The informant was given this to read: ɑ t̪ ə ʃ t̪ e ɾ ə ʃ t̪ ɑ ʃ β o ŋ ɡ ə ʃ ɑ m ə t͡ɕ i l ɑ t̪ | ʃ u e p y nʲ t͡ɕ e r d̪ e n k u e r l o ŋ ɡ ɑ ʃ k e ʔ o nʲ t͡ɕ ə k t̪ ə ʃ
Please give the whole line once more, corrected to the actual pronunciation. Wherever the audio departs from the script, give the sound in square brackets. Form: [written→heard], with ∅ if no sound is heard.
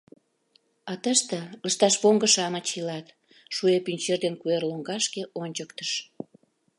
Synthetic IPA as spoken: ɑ t̪ ə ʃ t̪ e [ɾ→l] ə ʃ t̪ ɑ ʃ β o ŋ ɡ ə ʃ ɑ m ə t͡ɕ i l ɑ t̪ | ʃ u e p y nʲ t͡ɕ e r d̪ e n k u e r l o ŋ ɡ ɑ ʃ k e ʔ o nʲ t͡ɕ ə k t̪ ə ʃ